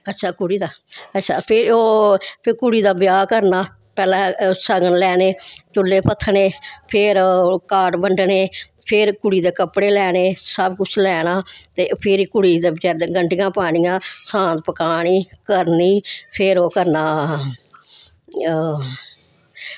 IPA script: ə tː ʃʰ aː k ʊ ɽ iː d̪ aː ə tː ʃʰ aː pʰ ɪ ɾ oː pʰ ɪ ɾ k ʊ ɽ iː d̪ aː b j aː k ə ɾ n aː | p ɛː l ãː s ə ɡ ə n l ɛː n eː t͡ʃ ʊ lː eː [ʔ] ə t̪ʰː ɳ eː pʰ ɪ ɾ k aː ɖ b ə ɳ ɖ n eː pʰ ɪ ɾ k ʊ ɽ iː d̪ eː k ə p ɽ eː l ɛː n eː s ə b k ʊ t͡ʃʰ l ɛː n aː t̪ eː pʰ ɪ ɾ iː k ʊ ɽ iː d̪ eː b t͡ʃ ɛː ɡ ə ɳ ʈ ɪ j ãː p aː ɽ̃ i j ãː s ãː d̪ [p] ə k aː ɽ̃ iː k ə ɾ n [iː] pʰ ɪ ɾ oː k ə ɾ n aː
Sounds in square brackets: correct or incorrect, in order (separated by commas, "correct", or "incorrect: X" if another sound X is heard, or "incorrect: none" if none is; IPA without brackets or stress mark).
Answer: incorrect: p, correct, correct